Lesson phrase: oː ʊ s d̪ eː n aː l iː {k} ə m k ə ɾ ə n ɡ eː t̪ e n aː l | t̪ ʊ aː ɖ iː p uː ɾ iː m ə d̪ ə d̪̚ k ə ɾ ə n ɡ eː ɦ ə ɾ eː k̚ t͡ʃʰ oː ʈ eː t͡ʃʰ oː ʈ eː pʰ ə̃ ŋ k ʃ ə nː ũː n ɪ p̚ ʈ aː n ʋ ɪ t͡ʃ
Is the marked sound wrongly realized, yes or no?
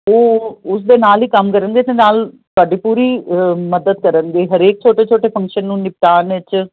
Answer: no